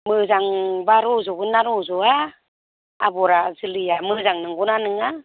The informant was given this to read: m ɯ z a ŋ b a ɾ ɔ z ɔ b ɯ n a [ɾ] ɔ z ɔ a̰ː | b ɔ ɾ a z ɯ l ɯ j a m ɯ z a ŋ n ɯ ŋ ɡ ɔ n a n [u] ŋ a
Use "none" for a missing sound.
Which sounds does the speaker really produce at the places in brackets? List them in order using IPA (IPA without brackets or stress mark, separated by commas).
ɾ, ɯ